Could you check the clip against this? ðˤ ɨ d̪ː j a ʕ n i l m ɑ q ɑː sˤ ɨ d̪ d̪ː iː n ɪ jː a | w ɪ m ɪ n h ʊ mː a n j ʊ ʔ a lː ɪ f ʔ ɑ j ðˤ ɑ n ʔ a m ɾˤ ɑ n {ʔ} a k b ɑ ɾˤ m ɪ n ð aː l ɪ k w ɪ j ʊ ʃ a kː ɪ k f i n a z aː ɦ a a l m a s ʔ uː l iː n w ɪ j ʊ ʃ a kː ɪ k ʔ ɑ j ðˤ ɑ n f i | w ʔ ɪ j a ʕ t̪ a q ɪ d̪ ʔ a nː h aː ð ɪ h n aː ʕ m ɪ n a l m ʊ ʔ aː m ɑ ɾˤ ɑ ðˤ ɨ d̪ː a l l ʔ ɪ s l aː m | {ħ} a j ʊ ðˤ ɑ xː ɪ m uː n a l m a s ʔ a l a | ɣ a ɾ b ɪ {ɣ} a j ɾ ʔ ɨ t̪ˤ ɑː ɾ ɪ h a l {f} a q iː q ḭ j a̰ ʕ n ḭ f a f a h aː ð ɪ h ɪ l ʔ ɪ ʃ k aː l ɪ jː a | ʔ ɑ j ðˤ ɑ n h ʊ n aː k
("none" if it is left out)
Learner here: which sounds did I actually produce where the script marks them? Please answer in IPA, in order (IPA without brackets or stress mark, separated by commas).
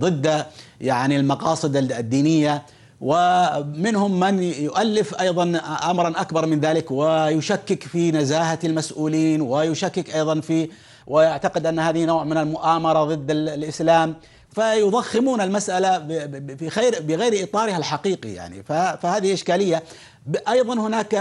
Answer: ʔ, f, ɣ, ħ